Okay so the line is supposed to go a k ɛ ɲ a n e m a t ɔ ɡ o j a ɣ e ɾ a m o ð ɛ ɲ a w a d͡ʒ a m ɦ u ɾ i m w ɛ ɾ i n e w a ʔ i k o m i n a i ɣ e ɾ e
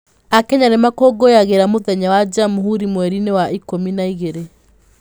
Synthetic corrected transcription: a k ɛ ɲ a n e m a k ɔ ɡ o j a ɣ e ɾ a m o ð ɛ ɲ a w a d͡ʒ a m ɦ u ɾ i m w ɛ ɾ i n e w a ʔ i k o m i n a i ɣ e ɾ e